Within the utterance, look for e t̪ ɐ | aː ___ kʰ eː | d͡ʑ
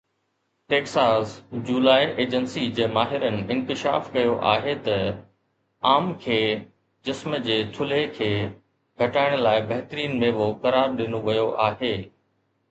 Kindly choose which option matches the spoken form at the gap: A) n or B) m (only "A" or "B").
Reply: B